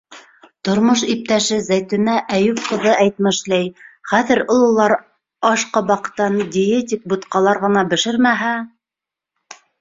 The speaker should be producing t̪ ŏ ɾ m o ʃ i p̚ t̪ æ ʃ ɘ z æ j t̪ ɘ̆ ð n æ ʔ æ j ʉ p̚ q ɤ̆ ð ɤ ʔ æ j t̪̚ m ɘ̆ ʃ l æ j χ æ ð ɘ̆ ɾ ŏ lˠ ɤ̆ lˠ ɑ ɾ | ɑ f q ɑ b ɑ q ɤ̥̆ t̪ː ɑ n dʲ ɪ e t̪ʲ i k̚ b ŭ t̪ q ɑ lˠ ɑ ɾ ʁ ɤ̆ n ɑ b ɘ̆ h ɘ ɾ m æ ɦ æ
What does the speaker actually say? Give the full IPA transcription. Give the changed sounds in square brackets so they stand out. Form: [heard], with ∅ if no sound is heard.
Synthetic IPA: t̪ ŏ ɾ m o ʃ i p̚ t̪ æ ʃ ɘ z æ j t̪ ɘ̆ [∅] n æ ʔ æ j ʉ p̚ q ɤ̆ ð ɤ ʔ æ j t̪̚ m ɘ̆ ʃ l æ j χ æ ð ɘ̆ ɾ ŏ lˠ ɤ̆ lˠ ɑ ɾ | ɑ [ʃ] q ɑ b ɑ q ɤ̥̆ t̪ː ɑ n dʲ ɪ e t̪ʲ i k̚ b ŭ t̪ q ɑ lˠ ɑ ɾ ʁ ɤ̆ n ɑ b ɘ̆ [ʃ] ɘ ɾ m æ ɦ æ